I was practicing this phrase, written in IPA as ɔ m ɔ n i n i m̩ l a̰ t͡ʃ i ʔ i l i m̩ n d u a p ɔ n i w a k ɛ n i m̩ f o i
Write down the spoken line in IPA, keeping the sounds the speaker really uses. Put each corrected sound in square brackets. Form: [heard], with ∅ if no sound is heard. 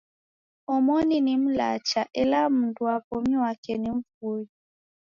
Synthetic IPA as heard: ɔ m ɔ n i n i m̩ l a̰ t͡ʃ [a] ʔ [ɛ] l [a] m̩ n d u a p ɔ [m] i w a k ɛ n i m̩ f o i